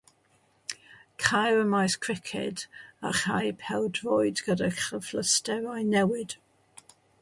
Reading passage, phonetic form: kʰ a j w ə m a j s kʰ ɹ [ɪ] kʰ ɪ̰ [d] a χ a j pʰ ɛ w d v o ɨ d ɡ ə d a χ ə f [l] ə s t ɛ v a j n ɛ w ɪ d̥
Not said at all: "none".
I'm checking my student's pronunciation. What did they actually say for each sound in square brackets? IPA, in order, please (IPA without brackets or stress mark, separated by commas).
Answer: ɪ, d, l